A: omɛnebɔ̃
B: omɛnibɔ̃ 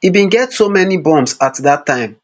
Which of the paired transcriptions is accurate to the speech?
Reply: B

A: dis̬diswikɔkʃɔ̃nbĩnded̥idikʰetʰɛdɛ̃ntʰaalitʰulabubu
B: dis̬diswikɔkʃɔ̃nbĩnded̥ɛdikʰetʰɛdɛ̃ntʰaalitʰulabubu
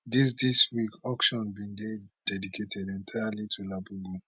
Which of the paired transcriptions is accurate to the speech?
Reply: B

